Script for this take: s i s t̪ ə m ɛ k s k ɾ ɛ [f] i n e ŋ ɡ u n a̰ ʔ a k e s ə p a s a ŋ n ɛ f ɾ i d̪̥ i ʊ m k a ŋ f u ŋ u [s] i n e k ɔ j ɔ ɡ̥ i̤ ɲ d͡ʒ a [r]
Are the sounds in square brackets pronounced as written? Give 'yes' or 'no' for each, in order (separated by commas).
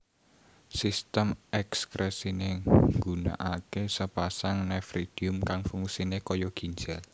no, yes, no